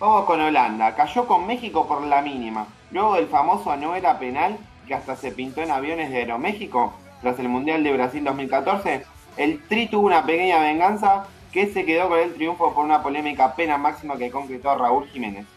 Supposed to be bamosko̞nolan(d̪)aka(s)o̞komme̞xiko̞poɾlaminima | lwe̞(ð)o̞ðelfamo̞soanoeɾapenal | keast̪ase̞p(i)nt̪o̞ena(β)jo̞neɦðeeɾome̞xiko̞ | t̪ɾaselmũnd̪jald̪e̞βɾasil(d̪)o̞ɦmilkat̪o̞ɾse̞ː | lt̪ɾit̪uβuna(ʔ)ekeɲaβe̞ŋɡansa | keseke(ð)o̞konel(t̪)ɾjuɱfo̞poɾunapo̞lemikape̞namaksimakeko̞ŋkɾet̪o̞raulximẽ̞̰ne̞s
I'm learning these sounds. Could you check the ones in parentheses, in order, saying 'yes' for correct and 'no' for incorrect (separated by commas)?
yes, no, no, yes, yes, yes, no, yes, yes